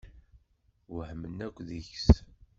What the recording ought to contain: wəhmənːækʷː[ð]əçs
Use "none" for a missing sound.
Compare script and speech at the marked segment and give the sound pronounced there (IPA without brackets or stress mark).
ð